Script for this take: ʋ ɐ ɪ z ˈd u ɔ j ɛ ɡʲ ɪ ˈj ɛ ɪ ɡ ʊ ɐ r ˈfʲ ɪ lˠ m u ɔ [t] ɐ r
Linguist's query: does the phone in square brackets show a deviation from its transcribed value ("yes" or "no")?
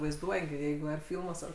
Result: yes